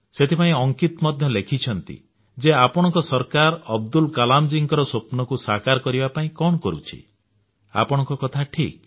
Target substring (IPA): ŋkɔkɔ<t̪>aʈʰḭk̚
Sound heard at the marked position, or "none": t̪ʰ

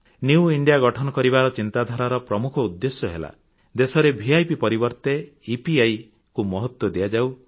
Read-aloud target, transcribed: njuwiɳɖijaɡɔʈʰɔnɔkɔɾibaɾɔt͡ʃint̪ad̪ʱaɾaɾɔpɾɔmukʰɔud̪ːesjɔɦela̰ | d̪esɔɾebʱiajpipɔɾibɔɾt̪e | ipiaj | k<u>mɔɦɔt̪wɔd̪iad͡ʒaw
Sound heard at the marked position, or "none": u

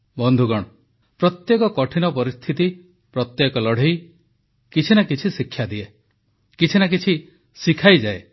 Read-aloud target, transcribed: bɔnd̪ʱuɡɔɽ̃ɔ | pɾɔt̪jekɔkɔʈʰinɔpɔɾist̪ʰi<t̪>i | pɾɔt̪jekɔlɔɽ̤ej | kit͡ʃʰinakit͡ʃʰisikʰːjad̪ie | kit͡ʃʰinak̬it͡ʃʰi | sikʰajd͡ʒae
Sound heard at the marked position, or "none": t̪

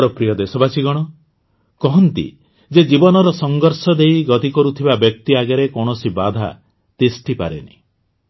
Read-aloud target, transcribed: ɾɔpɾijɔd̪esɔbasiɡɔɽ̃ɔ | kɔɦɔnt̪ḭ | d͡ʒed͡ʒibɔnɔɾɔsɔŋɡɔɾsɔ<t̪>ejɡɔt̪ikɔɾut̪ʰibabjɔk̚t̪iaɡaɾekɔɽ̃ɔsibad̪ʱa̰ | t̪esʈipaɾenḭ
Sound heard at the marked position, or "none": d̪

